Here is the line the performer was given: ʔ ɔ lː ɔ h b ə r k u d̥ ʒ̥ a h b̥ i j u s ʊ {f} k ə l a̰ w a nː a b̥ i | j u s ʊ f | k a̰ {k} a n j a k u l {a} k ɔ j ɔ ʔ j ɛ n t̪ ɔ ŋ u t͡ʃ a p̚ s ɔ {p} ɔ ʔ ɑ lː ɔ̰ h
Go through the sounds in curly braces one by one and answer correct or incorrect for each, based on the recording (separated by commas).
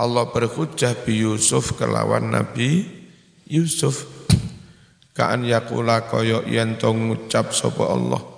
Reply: correct, incorrect, correct, correct